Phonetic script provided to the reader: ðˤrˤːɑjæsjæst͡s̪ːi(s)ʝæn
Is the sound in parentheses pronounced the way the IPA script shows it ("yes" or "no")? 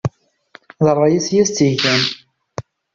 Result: no